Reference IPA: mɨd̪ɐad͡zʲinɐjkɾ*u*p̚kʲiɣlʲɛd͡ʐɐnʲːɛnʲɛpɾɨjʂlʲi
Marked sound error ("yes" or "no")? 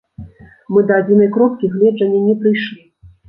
yes